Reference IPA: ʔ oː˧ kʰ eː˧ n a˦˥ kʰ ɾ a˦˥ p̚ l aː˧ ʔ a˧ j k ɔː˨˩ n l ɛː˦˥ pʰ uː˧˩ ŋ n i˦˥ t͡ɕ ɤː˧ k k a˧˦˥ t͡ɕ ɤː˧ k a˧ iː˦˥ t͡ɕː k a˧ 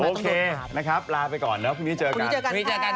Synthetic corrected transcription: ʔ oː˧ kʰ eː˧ n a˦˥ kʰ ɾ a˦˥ p̚ l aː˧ p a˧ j k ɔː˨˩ n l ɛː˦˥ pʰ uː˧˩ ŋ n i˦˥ t͡ɕ ɤː˧ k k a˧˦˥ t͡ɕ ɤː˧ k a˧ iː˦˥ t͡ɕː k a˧

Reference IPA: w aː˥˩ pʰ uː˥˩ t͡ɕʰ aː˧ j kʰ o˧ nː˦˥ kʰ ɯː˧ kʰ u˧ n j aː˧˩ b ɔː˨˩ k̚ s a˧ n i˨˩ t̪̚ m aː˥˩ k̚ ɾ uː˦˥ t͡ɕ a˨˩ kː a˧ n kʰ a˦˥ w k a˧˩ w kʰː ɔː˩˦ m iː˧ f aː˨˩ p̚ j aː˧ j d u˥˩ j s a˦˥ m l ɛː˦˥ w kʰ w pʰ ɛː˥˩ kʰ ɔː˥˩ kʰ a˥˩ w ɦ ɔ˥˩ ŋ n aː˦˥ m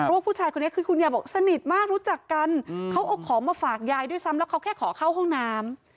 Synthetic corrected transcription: w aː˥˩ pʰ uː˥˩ t͡ɕʰ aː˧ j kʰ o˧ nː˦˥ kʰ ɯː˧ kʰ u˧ n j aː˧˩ b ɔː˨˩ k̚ s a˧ n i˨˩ t̪̚ m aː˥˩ k̚ ɾ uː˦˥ t͡ɕ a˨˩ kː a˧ n kʰ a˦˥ w ʔ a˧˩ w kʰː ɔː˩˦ m aː˧ f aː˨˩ k̚ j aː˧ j d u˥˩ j s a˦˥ m l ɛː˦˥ w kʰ w kʰ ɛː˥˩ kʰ ɔː˩˦ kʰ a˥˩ w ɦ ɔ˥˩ ŋ n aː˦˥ m

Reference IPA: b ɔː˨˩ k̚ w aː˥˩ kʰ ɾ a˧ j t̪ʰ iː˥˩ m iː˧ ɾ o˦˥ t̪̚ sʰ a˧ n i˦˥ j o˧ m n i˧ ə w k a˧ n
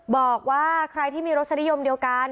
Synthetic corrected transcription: b ɔː˨˩ k̚ w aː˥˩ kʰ ɾ a˧ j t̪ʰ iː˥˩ m iː˧ ɾ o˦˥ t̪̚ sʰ a˧ n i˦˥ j o˧ m d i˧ ə w k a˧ n

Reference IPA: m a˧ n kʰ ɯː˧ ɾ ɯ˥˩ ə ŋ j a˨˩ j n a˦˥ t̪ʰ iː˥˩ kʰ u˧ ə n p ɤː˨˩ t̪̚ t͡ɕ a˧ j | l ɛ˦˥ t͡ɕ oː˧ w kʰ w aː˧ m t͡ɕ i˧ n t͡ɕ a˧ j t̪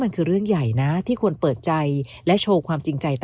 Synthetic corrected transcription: m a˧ n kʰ ɯː˧ ɾ ɯ˥˩ ə ŋ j a˨˩ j n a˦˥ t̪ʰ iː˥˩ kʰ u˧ ə n p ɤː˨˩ t̪̚ t͡ɕ a˧ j | l ɛ˦˥ t͡ɕʰ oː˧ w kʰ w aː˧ m t͡ɕ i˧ ŋ t͡ɕ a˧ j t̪

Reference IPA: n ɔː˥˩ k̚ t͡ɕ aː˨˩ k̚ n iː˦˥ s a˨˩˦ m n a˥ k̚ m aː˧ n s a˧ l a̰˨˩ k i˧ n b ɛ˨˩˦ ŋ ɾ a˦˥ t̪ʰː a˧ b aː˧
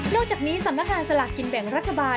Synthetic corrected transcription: n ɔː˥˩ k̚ t͡ɕ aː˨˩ k̚ n iː˦˥ s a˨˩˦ m n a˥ k̚ ŋ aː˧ n s a˧ l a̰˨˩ k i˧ n b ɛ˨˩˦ ŋ ɾ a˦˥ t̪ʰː a˧ b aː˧

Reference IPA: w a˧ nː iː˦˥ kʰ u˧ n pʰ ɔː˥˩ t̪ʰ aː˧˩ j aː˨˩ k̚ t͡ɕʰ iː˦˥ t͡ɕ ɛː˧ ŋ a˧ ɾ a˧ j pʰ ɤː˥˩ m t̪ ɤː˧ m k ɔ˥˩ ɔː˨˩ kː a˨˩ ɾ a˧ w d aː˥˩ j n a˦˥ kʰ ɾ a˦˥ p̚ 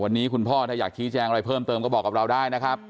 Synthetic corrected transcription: w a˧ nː iː˦˥ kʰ u˧ n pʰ ɔː˥˩ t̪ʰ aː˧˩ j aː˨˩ k̚ t͡ɕʰ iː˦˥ t͡ɕ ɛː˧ ŋ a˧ ɾ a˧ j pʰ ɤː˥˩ m t̪ ɤː˧ m k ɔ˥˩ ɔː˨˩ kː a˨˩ ɾ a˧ w d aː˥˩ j n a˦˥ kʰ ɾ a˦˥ p̚

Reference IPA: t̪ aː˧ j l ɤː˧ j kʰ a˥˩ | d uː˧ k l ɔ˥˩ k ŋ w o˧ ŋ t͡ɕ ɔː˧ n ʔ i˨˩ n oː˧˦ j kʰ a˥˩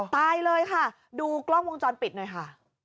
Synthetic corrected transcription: t̪ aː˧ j l ɤː˧ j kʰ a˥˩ | d uː˧ k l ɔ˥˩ ŋ w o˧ ŋ t͡ɕ ɔː˧ n p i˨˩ n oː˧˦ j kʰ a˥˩

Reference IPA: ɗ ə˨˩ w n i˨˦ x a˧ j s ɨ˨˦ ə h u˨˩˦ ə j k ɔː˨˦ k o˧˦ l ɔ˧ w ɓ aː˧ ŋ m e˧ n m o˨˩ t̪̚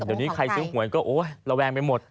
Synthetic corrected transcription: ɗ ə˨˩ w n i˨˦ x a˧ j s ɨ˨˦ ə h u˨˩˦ ə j k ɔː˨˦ ʔ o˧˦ l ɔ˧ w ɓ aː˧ ŋ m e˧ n m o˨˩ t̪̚

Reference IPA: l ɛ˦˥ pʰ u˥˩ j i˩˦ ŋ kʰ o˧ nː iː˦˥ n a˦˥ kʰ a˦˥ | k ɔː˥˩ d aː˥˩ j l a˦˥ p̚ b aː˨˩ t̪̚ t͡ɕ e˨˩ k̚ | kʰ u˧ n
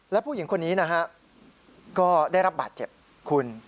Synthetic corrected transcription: l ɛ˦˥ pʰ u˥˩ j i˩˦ ŋ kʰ o˧ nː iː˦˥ n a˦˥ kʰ a˦˥ | k ɔː˥˩ d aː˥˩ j ɾ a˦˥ p̚ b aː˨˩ t̪̚ t͡ɕ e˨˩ p̚ | kʰ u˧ n

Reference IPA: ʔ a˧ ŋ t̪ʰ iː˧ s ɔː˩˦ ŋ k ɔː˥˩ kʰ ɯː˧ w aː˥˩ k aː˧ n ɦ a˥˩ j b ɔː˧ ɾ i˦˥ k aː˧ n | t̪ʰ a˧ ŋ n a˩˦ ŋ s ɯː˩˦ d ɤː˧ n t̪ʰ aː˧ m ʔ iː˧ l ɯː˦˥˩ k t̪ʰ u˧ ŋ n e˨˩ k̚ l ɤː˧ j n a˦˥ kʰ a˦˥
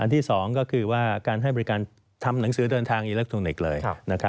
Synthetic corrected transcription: ʔ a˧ n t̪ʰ iː˥˩ s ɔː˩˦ ŋ k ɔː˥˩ kʰ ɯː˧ w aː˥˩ k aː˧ n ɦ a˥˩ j b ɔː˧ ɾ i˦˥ k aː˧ n | t̪ʰ a˧ m n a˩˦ ŋ s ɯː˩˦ d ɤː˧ n t̪ʰ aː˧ ŋ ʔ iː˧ l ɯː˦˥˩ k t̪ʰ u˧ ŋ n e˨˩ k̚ l ɤː˧ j n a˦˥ kʰ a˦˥

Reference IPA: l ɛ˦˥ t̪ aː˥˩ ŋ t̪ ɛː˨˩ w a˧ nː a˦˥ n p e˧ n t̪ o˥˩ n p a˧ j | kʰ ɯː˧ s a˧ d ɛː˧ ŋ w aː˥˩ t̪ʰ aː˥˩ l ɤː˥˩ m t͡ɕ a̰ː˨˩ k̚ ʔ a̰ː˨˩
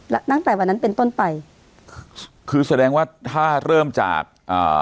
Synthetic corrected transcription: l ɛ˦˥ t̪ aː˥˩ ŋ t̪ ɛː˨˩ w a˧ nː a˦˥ n p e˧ n t̪ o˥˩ n p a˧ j | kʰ ɯː˧ s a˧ d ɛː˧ ŋ w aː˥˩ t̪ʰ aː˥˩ ɾ ɤː˥˩ m t͡ɕ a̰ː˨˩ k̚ ʔ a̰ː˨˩

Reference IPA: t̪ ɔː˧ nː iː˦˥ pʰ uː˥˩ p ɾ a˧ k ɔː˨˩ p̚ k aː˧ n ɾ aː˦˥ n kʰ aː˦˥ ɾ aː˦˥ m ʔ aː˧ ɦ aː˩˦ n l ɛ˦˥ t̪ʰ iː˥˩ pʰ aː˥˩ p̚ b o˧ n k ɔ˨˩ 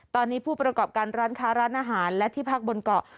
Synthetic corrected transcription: t̪ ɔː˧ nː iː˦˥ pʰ uː˥˩ p ɾ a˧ k ɔː˨˩ p̚ k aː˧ n ɾ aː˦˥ n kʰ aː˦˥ ɾ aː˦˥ n ʔ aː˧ ɦ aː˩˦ n l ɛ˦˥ t̪ʰ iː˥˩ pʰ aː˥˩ k̚ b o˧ n k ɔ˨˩

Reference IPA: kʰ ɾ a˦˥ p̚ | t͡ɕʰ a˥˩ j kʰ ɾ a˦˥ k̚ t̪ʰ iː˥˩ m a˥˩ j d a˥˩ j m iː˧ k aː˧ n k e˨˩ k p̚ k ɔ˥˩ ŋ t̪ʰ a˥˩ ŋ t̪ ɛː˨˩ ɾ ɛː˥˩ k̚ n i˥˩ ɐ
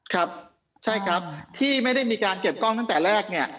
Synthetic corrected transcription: kʰ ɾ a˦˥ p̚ | t͡ɕʰ a˥˩ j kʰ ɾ a˦˥ p̚ t̪ʰ iː˥˩ m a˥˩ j d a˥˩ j m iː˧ k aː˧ n k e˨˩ p̚ k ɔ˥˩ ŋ t̪ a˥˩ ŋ t̪ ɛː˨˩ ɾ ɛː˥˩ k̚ n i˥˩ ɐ

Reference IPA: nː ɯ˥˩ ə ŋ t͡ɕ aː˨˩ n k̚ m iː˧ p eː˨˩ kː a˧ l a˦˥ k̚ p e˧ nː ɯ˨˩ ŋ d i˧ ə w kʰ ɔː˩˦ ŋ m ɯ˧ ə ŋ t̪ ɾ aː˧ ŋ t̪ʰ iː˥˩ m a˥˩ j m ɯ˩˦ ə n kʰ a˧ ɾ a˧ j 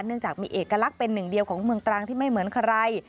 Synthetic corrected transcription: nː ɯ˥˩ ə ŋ t͡ɕ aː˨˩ k̚ m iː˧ ʔ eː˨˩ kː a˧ l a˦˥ k̚ p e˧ nː ɯ˨˩ ŋ d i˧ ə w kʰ ɔː˩˦ ŋ m ɯ˧ ə ŋ t̪ ɾ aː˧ ŋ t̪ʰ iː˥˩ m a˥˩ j m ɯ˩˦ ə n kʰ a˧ ɾ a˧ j

